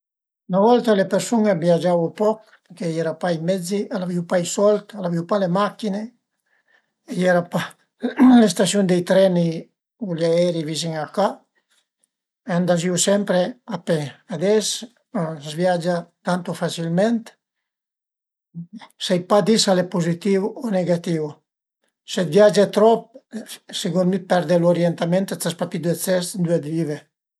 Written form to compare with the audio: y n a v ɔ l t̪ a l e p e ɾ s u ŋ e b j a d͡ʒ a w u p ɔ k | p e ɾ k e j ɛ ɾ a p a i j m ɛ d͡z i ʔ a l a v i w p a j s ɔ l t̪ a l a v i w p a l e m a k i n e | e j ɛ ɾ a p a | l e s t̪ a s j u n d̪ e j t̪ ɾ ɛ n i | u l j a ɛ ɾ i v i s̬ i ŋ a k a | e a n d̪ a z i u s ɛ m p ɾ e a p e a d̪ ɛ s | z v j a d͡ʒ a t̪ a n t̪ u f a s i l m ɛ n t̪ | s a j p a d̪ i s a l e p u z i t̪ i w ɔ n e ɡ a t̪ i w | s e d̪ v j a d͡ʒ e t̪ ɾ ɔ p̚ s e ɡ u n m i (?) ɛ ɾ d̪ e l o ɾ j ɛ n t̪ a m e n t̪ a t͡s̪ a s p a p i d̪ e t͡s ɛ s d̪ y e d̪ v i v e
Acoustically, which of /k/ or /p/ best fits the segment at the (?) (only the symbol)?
p